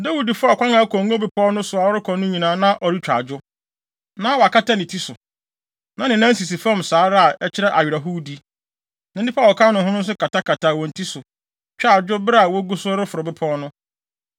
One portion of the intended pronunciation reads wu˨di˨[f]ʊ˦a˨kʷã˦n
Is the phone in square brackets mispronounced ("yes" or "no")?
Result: no